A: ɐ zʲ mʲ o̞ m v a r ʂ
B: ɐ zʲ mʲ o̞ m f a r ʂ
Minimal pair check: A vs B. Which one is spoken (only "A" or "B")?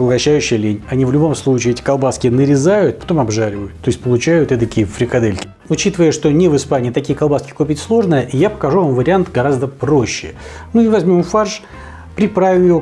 B